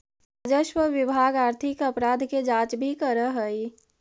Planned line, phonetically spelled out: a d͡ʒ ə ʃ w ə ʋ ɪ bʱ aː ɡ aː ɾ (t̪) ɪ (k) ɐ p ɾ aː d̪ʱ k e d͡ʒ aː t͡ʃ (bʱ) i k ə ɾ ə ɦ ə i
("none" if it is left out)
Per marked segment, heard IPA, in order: t̪ʰ, k, bʱ

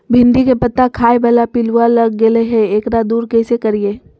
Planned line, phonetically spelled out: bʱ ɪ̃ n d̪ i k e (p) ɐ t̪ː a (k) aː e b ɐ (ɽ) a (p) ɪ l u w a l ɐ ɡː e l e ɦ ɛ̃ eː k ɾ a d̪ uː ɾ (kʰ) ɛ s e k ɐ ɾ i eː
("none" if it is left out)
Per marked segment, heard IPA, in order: p, kʰ, l, p, k

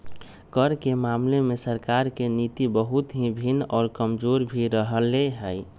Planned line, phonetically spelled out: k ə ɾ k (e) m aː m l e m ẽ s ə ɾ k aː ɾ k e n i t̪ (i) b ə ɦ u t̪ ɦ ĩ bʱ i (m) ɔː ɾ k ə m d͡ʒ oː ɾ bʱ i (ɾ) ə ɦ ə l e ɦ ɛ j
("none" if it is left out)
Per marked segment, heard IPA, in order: e, i, n, ɾ

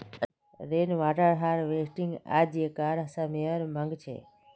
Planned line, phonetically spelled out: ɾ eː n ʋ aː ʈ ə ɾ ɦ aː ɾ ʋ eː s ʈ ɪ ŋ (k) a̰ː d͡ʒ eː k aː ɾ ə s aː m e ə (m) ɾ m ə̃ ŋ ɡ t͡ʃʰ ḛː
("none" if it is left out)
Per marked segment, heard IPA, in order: ɡ, none

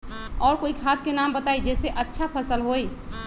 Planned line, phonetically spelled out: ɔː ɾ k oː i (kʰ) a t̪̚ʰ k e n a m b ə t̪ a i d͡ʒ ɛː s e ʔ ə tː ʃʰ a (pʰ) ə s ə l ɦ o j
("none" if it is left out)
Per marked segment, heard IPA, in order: kʰ, pʰ

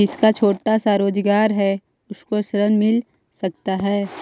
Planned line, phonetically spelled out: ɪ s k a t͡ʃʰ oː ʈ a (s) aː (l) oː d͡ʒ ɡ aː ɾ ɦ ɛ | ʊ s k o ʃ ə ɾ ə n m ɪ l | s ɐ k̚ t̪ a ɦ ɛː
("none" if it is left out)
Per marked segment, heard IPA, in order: s, ɾ

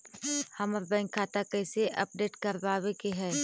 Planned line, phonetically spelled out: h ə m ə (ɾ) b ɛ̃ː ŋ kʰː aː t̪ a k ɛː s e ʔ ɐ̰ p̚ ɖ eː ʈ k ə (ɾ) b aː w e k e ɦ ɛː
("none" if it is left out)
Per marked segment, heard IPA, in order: ɾ, ɾ

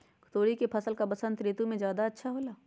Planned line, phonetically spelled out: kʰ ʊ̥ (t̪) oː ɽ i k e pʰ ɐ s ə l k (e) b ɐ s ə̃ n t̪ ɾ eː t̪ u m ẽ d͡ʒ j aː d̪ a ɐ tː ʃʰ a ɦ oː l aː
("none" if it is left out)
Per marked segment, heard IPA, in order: t̪, a

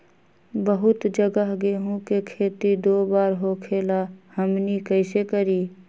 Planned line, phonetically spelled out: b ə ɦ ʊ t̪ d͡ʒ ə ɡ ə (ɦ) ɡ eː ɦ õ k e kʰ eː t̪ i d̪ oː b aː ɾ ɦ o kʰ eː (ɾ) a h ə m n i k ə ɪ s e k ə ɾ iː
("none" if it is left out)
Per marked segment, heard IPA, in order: ɦ, l

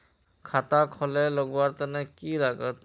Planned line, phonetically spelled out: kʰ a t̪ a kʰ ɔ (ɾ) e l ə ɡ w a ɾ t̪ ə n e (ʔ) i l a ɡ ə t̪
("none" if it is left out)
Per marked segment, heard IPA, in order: l, k

